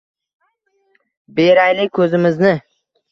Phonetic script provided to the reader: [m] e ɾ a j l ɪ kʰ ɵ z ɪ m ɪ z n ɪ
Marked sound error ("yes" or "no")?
yes